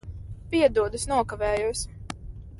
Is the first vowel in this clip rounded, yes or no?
no